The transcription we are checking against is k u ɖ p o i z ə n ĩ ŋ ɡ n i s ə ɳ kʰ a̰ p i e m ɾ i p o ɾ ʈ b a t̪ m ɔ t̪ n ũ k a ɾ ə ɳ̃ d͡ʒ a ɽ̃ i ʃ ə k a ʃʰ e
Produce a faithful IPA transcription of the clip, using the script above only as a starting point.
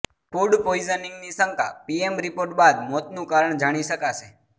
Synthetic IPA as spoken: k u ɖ p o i z ə n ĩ ŋ ɡ n i s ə ŋ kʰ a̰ p i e m ɾ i p o ɾ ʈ b a d̪ m ɔ t̪ n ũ k a ɾ ə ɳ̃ d͡ʒ a ɽ̃ i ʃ ə k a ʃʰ e